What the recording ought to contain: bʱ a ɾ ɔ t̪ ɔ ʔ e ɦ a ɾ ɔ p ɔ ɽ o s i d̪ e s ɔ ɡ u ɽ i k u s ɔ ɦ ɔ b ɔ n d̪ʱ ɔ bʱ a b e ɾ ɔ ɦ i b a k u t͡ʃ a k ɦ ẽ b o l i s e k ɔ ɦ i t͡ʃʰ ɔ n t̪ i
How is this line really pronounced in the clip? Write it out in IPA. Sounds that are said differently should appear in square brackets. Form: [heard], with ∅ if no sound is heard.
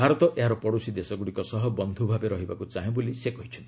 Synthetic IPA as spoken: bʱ a ɾ ɔ t̪ ɔ ʔ e ɦ a ɾ ɔ p ɔ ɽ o s i d̪ e s ɔ ɡ u ɽ i k [ɔ] s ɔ ɦ ɔ b ɔ n d̪ʱ [u] bʱ a b e ɾ ɔ ɦ i b a k u t͡ʃ a [∅] ɦ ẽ b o l i s e k ɔ ɦ i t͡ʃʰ ɔ n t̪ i